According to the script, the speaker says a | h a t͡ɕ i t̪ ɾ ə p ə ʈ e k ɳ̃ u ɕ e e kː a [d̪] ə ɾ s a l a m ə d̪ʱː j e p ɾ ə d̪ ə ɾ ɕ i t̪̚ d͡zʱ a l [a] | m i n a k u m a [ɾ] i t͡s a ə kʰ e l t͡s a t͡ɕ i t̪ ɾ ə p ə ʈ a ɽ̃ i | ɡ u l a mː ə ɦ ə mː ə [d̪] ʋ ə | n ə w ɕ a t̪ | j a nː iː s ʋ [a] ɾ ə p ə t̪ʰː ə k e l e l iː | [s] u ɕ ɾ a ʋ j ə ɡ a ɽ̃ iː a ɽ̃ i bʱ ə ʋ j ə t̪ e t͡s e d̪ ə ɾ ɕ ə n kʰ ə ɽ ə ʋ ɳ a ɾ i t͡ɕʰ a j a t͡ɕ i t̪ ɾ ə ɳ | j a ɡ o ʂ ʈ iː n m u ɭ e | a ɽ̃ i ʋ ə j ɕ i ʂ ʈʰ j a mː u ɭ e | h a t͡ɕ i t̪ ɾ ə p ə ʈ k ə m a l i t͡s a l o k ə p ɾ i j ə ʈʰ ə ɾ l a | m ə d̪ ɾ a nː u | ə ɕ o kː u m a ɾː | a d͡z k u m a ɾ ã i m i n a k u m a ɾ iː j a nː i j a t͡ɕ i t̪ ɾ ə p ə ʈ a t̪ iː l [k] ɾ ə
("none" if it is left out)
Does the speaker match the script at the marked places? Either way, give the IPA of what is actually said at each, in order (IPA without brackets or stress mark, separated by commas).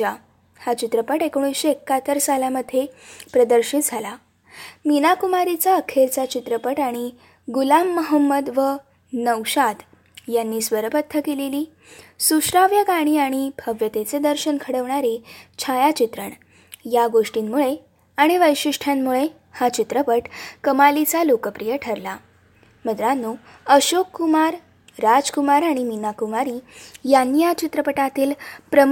t̪, a, ɾ, d̪, ə, s, p